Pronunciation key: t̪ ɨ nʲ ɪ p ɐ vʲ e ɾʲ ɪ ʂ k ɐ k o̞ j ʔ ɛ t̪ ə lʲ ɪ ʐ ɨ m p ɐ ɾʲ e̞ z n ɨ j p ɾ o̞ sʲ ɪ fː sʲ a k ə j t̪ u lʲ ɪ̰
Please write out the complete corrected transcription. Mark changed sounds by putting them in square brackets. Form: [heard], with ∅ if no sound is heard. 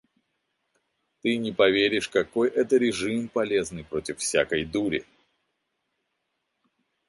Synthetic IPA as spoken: t̪ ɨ nʲ ɪ p ɐ vʲ e ɾʲ ɪ ʂ k ɐ k o̞ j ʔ ɛ t̪ ə [ɾʲ] ɪ ʐ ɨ m p ɐ [lʲ] e̞ z n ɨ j p ɾ o̞ [tʲ] ɪ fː sʲ a k ə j [d̪] u [ɾʲ] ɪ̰